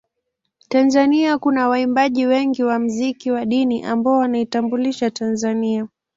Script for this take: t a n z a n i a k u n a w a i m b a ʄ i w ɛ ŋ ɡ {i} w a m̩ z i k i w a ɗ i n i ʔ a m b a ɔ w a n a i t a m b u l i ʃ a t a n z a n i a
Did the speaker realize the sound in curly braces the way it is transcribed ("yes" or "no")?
yes